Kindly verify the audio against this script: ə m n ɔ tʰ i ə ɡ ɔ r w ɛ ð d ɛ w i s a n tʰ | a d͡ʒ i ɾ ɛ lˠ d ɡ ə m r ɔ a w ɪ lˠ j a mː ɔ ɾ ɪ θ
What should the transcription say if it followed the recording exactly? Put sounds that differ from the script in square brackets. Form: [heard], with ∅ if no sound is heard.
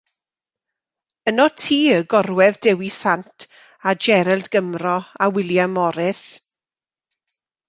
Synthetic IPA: ə [∅] n ɔ tʰ [iː] ə ɡ ɔ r w ɛ ð d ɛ w i s a n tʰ | a d͡ʒ [ɛ] ɾ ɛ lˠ d ɡ ə m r ɔ a w ɪ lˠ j a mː ɔ ɾ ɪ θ